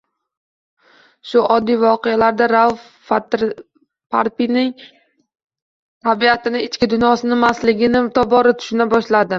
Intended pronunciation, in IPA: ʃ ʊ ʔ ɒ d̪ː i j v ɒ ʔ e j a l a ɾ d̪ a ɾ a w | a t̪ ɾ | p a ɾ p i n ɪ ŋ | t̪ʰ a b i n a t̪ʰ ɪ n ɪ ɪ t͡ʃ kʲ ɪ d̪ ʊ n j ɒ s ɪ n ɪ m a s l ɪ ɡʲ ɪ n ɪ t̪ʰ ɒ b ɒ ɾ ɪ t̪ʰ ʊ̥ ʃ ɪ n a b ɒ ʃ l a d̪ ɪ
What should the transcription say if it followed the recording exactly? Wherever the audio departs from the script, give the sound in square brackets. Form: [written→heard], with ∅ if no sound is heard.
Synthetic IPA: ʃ ʊ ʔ ɒ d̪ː i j v ɒ [ʔ→q] e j a l a ɾ d̪ a ɾ a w | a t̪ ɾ | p a ɾ p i n ɪ ŋ | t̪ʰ a b i [n→∅] a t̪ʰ ɪ n ɪ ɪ t͡ʃ kʲ ɪ d̪ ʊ n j ɒ s ɪ n ɪ m a s l ɪ ɡʲ ɪ n ɪ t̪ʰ ɒ b ɒ ɾ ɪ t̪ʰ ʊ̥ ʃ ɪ n a b ɒ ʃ l a d̪ ɪ